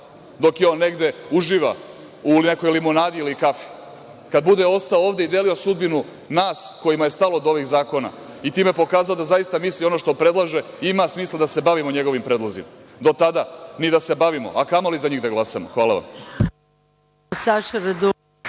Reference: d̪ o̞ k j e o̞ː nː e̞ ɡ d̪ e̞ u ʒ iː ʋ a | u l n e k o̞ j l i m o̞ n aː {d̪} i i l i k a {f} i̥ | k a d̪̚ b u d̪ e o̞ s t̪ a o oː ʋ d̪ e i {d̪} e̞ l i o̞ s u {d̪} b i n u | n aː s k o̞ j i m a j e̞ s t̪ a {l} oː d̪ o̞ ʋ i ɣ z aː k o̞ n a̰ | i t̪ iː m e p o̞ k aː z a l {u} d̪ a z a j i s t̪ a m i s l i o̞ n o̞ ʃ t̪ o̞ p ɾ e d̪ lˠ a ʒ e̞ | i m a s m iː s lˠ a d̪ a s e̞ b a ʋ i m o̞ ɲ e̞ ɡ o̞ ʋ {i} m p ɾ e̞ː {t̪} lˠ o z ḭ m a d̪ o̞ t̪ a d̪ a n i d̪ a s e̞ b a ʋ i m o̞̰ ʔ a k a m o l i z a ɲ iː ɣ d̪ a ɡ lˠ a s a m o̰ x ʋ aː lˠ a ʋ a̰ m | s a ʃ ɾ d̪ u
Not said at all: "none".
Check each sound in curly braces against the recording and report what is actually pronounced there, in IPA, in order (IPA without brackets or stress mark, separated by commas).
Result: d̪, f, d̪, d̪, l, o, i, d̪